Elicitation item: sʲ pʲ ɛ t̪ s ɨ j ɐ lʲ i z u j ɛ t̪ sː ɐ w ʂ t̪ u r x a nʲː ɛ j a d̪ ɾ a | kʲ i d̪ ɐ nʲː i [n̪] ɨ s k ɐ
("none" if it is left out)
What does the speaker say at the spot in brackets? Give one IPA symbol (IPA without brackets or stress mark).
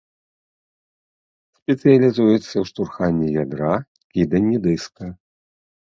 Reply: d̪